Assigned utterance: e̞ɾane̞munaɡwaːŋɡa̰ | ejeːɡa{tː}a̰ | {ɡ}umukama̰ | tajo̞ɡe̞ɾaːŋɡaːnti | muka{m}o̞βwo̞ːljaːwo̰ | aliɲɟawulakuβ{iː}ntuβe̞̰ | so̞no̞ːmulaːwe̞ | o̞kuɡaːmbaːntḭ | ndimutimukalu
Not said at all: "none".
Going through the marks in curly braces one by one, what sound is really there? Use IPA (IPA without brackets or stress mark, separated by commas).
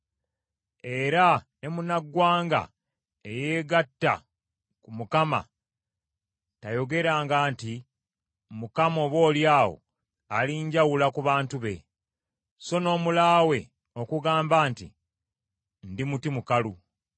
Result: tː, k, m, aː